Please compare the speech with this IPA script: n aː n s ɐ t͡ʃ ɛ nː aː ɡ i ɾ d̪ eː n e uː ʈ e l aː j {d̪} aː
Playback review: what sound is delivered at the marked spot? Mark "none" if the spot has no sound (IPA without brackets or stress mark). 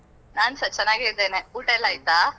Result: t̪